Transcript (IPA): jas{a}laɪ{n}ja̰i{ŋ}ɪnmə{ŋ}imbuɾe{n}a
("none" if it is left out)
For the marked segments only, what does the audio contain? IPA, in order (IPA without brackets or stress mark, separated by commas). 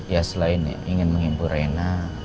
ə, n, ŋ, ŋ, n